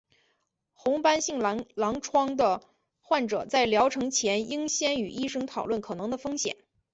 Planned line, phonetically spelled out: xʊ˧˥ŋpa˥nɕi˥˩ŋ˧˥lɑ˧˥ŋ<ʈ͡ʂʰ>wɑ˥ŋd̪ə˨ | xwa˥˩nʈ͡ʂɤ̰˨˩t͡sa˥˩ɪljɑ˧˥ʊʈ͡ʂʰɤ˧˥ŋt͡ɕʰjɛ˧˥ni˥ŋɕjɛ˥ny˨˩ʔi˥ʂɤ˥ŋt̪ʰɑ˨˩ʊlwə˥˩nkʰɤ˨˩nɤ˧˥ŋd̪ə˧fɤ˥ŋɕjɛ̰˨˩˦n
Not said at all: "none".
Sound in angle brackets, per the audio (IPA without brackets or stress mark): ʈ͡ʂʰ